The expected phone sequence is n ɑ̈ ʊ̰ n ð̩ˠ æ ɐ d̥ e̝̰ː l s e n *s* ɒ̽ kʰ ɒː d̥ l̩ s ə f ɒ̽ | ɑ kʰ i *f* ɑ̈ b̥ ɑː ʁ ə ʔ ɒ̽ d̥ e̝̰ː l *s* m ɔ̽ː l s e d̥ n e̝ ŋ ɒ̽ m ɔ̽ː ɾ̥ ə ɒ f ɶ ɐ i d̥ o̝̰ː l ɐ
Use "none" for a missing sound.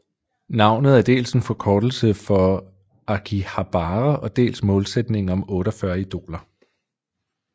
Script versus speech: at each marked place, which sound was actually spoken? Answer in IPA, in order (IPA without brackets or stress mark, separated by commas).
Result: f, h, s